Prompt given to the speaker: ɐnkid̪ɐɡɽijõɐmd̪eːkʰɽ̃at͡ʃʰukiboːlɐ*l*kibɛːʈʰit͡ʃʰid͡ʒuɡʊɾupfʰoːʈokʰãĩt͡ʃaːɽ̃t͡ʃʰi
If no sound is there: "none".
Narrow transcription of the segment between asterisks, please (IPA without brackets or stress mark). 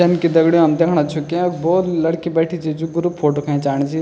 ɽ